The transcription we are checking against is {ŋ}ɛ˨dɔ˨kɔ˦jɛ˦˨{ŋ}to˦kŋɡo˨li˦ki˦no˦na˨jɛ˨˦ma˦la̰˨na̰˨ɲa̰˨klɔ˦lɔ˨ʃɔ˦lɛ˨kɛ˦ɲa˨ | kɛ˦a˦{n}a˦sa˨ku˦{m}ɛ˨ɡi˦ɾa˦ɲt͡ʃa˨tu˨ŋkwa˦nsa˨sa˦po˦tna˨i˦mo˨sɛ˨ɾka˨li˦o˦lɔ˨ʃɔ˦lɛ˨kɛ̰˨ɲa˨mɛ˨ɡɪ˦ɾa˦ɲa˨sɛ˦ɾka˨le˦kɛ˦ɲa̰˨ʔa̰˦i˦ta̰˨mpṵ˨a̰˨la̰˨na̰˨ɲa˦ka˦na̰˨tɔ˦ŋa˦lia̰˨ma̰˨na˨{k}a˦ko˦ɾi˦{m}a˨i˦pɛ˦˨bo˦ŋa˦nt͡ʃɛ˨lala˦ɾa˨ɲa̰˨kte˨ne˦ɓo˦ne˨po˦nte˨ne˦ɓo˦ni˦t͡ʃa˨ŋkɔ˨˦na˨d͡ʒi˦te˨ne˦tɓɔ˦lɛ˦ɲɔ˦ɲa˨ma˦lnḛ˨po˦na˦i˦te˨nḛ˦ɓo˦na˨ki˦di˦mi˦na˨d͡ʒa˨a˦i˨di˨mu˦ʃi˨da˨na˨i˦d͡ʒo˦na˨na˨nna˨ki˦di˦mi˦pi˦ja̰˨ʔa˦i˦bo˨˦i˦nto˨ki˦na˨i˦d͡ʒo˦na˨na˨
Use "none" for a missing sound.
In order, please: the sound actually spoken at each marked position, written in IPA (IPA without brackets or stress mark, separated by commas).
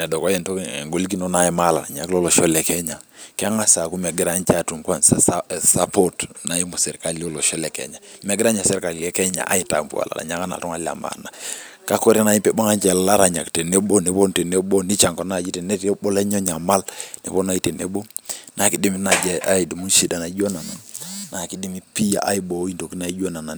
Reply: n, n, ŋ, m, k, n